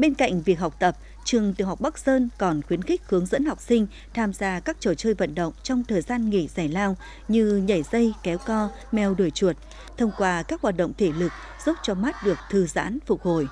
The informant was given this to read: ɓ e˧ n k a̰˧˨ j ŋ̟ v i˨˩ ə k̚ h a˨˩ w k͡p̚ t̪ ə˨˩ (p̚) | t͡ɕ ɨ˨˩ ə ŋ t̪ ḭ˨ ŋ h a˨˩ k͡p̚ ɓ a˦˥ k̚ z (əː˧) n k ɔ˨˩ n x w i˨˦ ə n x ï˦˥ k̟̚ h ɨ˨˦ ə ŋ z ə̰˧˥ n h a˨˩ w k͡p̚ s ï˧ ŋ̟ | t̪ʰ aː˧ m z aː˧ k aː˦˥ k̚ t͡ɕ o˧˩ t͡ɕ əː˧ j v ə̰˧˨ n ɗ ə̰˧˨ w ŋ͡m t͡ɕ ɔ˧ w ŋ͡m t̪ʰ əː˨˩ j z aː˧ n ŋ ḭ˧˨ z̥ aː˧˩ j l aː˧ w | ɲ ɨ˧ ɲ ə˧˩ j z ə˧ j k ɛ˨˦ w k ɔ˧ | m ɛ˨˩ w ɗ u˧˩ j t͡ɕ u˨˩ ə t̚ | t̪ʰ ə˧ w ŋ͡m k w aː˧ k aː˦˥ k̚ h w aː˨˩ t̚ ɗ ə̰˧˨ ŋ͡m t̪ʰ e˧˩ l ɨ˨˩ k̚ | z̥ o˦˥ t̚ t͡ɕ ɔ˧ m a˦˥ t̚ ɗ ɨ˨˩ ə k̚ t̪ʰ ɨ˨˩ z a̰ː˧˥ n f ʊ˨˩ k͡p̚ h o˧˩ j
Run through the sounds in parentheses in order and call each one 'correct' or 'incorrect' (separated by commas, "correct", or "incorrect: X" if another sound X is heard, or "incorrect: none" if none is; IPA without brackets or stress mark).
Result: correct, correct